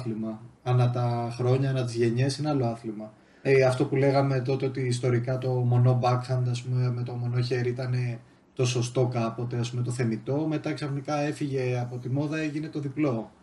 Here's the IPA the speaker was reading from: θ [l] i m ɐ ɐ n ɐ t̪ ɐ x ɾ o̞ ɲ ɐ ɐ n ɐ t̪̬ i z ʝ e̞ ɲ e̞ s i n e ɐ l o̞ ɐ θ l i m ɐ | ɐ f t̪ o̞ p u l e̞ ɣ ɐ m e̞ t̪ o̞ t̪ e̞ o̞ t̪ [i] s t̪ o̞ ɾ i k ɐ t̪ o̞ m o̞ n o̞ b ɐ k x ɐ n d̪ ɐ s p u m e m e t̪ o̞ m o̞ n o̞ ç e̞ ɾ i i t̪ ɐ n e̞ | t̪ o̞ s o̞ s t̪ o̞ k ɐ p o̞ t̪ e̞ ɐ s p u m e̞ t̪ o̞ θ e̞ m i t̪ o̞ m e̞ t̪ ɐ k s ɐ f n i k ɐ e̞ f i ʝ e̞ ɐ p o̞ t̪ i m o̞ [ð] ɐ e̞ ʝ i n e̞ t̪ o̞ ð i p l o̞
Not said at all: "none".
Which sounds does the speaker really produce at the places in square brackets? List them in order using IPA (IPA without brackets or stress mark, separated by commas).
l, iː, ð